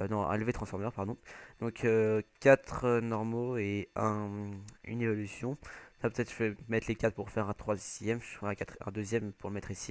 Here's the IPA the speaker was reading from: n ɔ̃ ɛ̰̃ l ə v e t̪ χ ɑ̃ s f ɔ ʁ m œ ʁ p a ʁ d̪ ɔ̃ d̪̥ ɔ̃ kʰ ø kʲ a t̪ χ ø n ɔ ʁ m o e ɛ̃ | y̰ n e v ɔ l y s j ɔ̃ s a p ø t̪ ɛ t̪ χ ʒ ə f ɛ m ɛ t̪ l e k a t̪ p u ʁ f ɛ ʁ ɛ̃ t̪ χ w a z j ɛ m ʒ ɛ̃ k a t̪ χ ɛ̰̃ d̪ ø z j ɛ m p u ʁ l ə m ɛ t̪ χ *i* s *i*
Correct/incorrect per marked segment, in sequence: correct, correct

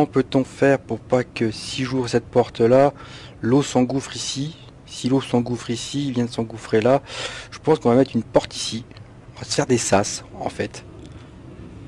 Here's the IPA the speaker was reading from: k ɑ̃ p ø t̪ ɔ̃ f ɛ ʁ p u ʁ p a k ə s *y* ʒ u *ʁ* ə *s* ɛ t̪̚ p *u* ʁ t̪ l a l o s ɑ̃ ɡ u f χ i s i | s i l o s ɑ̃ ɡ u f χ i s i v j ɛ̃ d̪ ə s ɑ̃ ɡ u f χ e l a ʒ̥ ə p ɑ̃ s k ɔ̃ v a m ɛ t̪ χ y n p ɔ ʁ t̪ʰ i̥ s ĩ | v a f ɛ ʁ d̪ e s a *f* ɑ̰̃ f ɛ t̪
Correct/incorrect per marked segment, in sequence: incorrect: i, correct, correct, incorrect: ɔ, incorrect: s

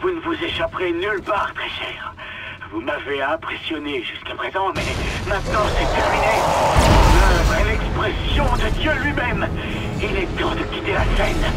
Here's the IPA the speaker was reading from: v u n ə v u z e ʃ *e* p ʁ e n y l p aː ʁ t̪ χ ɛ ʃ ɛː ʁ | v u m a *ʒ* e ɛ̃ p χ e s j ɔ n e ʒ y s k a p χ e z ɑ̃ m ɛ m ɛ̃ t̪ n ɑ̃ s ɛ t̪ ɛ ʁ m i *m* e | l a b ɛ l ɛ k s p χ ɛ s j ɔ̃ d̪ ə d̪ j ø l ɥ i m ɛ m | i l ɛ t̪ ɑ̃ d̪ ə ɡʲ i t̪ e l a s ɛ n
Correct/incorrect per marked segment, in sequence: incorrect: a, incorrect: v, incorrect: n

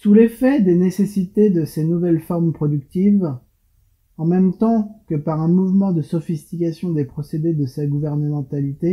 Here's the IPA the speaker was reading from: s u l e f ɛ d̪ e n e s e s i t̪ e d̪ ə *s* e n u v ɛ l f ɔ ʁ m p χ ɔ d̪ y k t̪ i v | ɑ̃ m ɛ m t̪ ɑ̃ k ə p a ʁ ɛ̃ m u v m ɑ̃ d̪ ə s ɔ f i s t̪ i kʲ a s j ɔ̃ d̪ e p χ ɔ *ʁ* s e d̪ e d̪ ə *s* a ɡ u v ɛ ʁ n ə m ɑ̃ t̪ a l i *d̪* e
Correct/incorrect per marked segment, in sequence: correct, incorrect: none, correct, incorrect: t̪

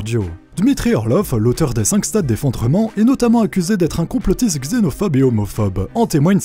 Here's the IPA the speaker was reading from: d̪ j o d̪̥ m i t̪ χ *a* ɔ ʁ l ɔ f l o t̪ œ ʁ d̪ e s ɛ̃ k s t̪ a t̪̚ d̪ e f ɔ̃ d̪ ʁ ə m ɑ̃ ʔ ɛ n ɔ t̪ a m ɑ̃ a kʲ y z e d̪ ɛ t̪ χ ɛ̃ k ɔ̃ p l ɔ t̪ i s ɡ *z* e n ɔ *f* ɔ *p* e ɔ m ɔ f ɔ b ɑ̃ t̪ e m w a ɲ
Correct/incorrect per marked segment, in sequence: incorrect: i, correct, correct, incorrect: b

